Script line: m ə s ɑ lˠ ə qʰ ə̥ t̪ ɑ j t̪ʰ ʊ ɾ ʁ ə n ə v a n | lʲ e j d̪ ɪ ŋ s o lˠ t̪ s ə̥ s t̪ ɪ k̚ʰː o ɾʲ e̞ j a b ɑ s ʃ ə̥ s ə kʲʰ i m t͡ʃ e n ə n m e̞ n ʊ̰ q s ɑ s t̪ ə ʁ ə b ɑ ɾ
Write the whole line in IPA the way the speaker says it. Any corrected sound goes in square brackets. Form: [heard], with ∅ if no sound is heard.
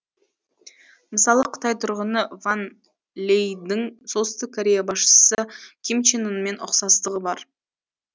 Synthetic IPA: m ə s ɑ lˠ ə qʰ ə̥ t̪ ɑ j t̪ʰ ʊ ɾ ʁ ə n ə v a n | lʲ e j d̪ ɪ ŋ s o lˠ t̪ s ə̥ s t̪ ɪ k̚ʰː o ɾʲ e̞ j a b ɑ s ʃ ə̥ s ə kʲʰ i m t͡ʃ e n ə n m e̞ n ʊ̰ q s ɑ s t̪ ə ʁ ə b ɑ ɾ